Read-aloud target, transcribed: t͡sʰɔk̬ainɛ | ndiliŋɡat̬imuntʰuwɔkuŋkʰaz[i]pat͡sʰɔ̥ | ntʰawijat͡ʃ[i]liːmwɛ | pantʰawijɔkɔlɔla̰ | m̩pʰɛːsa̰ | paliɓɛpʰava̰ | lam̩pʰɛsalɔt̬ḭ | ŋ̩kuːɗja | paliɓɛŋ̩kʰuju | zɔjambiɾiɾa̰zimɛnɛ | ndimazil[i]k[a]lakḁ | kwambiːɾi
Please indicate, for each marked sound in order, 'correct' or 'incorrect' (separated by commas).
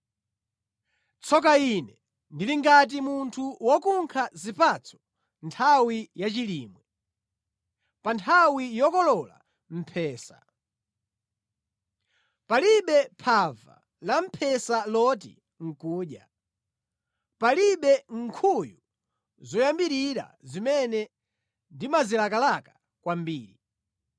correct, correct, incorrect, correct